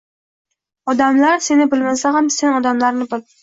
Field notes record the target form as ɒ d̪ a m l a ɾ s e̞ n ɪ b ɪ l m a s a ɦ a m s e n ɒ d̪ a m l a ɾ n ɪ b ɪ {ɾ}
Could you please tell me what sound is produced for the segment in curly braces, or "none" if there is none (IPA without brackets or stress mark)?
l